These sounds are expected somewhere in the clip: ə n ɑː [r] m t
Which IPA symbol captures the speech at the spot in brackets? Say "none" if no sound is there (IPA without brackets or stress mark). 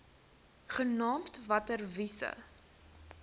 none